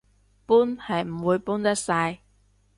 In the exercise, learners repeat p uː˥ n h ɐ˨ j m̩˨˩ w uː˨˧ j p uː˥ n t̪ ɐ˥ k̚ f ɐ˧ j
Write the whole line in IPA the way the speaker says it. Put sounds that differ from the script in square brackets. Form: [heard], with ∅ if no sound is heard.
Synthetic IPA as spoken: p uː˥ n h ɐ˨ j m̩˨˩ w uː˨˧ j p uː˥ n t̪ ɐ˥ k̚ [s] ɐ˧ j